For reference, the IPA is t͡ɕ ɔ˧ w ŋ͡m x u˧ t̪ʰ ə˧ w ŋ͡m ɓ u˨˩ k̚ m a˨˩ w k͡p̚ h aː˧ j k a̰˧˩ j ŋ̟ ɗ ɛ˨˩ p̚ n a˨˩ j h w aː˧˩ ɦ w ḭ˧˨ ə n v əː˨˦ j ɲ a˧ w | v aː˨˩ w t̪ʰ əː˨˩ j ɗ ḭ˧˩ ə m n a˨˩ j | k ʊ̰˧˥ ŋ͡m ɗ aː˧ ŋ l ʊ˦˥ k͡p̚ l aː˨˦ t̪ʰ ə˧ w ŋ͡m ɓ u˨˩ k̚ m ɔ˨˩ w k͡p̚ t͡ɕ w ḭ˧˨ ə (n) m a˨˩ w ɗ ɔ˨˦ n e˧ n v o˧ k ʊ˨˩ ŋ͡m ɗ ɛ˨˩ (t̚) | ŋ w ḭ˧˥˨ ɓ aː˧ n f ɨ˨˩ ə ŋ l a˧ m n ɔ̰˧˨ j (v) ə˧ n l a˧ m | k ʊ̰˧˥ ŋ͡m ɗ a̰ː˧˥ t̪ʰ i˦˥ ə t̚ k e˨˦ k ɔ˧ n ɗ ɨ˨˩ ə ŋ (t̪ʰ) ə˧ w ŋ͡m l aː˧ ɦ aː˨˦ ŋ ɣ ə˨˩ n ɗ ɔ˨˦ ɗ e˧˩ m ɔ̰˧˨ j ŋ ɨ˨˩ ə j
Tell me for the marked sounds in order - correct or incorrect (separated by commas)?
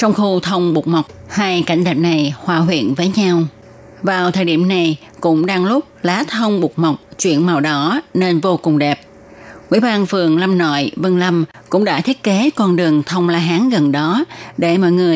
correct, incorrect, correct, correct